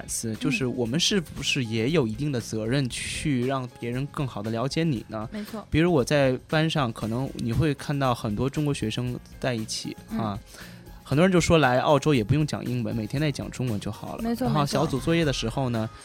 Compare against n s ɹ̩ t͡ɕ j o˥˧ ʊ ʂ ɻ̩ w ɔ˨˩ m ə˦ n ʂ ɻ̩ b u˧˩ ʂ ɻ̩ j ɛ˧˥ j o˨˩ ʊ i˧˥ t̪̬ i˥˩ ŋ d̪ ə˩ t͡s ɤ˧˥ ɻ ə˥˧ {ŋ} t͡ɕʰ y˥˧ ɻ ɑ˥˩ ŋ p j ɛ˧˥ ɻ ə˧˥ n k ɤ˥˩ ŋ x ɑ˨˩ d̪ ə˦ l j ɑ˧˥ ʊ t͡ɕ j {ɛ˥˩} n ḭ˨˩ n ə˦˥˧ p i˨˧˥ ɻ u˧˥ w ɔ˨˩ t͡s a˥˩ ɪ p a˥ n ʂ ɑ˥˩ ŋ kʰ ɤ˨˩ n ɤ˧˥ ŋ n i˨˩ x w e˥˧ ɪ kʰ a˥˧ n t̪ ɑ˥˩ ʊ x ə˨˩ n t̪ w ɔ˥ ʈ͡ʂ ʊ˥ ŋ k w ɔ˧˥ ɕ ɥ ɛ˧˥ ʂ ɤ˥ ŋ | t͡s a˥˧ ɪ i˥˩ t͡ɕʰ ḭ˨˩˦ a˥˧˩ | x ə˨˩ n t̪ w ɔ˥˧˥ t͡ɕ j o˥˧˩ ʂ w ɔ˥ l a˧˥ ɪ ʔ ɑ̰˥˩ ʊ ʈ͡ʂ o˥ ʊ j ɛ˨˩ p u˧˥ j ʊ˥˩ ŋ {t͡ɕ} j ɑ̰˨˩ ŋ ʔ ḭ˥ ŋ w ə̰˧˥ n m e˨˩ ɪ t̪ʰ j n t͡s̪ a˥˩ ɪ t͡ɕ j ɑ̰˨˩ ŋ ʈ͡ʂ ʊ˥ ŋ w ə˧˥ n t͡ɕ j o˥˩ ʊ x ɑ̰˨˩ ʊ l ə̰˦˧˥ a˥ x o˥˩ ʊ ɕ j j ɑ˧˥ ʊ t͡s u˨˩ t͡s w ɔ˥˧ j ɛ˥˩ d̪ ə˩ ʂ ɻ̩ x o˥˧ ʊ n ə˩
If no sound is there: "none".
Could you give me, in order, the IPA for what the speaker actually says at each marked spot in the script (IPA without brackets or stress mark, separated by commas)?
n, ɛ˧˥, t͡ɕ